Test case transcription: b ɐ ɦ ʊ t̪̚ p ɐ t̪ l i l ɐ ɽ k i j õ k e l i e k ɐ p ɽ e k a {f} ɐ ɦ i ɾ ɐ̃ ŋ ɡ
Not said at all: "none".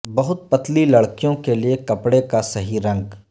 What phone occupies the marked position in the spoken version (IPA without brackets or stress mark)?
s